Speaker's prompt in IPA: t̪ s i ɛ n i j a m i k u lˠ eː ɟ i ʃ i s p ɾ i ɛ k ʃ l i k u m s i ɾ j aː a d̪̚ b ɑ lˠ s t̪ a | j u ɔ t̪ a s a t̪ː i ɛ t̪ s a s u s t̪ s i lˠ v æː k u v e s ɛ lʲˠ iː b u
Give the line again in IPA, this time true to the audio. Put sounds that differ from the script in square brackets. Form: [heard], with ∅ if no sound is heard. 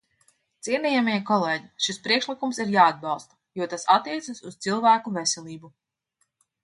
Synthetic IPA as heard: t̪ s i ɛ n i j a m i k [ɔ] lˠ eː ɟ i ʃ i s p ɾ i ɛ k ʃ l i k u m s i ɾ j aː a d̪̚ b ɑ lˠ s t̪ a | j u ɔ t̪ a s a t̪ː i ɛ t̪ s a s u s t̪ s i lˠ v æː k u v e s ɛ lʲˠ iː b u